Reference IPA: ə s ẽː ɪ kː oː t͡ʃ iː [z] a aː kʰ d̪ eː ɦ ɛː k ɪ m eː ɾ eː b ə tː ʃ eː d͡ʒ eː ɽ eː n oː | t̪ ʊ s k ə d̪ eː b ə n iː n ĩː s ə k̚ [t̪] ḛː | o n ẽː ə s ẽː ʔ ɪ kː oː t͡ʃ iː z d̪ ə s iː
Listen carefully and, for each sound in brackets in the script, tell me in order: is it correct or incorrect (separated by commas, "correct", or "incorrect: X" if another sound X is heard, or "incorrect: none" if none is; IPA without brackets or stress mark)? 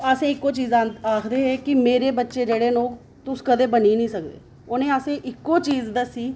correct, incorrect: d̪